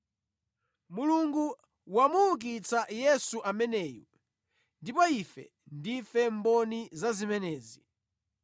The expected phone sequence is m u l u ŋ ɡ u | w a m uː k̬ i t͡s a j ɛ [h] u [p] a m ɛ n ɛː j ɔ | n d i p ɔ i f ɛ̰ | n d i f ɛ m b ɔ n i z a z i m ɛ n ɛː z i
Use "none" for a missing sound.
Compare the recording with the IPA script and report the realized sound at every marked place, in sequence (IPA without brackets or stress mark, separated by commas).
s, ʔ